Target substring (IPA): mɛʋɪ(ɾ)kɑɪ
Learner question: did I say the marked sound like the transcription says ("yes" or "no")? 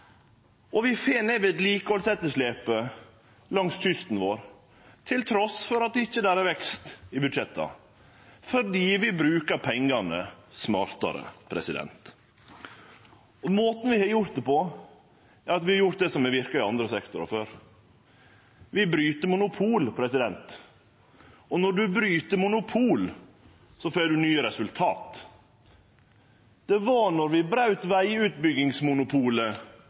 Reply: yes